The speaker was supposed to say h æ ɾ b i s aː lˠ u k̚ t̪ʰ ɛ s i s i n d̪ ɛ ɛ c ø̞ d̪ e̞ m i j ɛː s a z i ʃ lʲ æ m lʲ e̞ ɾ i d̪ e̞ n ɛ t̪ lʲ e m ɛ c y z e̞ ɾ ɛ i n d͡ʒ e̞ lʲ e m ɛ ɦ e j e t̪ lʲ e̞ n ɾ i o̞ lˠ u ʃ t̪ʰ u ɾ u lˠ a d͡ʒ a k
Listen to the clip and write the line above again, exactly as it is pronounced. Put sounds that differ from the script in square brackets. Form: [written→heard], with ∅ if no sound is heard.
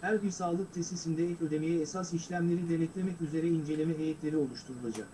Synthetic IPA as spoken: h æ ɾ b i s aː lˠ [u→ɯ] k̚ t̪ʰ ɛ s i s i n d̪ ɛ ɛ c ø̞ d̪ e̞ m i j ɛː s a [z→s] i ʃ lʲ æ m lʲ e̞ ɾ i d̪ e̞ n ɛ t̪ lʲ e m ɛ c y z e̞ ɾ ɛ i n d͡ʒ e̞ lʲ e m ɛ ɦ e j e t̪ lʲ e̞ [n→∅] ɾ i o̞ lˠ u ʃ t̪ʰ u ɾ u lˠ a d͡ʒ a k